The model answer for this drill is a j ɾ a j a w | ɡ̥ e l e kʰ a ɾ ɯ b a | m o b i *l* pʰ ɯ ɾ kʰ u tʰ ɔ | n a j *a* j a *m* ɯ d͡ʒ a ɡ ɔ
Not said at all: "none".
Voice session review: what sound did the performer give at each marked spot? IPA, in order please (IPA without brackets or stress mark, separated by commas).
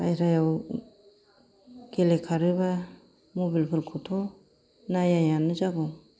l, a, n